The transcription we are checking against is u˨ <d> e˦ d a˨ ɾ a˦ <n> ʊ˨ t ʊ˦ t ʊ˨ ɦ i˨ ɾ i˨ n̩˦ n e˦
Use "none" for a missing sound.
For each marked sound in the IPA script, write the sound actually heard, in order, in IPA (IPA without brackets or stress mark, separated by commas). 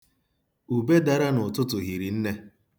b, n